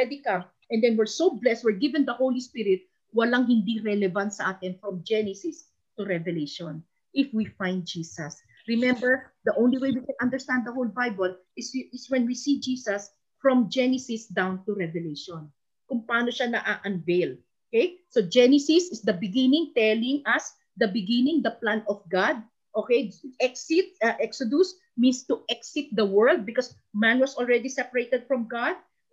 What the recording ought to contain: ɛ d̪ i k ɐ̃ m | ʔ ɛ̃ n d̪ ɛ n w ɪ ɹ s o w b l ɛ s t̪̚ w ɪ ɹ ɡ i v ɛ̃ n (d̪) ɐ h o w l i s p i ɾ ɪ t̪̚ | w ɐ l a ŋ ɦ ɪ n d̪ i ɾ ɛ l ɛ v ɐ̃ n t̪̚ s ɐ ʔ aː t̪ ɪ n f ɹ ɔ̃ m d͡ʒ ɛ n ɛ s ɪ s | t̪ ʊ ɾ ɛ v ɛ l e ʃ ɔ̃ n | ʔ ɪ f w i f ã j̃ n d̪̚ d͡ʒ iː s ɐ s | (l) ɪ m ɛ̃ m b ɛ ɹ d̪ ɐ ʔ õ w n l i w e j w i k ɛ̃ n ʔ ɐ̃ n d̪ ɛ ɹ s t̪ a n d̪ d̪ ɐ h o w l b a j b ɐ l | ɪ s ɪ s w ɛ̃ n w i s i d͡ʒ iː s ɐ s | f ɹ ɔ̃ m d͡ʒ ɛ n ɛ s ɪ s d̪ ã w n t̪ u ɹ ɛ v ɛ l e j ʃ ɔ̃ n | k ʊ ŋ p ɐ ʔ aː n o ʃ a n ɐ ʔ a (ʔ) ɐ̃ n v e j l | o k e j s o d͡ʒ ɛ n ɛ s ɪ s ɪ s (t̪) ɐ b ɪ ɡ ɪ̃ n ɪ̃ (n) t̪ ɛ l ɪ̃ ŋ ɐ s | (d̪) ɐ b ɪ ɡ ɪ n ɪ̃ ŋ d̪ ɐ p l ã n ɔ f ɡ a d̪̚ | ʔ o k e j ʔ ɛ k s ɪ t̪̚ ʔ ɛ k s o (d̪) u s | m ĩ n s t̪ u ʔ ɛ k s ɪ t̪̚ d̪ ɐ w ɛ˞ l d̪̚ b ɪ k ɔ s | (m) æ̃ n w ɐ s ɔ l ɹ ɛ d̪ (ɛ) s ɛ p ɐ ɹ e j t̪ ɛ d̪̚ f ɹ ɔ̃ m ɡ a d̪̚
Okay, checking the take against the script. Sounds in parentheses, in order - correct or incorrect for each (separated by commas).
correct, incorrect, correct, incorrect, incorrect, correct, correct, correct, incorrect